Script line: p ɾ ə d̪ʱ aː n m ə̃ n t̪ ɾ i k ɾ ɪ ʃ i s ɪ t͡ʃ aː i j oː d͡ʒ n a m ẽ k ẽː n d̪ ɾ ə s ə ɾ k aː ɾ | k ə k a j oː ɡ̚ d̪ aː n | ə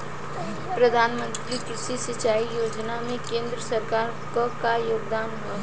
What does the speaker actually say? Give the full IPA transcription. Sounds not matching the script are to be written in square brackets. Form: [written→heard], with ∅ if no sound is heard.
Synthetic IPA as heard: p ɾ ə d̪ʱ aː n m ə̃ n t̪ ɾ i k ɾ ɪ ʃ i s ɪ t͡ʃ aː i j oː d͡ʒ n a m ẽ k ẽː n d̪ ɾ ə s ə ɾ k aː ɾ | k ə k a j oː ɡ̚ d̪ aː n | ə